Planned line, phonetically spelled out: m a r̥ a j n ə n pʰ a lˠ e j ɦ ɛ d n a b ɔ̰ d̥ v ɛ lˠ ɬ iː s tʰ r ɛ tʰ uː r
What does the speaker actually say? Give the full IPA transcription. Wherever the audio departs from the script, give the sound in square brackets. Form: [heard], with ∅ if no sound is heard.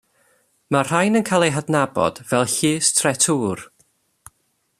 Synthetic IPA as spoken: m a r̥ a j n ə n [kʰ] a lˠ e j ɦ [a] d n a b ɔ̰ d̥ v ɛ lˠ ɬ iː s tʰ r ɛ tʰ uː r